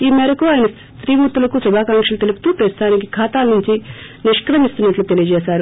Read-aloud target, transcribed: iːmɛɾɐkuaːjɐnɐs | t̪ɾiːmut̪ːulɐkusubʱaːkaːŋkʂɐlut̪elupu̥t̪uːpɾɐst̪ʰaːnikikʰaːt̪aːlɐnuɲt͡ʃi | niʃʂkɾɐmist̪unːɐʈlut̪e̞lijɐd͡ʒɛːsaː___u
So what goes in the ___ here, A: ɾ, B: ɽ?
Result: A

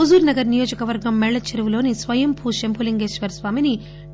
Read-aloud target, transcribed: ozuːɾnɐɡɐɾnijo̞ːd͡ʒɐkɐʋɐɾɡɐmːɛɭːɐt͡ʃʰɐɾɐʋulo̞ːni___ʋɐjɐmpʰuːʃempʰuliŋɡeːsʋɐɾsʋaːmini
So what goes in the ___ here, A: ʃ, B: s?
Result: B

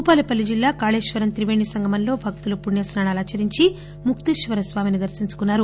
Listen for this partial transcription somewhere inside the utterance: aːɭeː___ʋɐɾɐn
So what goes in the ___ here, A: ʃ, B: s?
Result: A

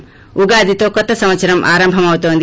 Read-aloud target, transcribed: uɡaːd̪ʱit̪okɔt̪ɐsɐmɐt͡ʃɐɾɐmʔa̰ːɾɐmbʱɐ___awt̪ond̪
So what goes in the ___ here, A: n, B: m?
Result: B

